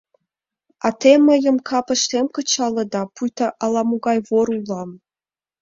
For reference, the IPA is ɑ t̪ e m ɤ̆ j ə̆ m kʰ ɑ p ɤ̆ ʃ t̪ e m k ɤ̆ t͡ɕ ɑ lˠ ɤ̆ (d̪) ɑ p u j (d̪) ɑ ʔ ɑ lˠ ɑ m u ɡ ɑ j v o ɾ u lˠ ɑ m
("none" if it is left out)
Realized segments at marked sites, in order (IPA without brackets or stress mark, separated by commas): d̪, t̪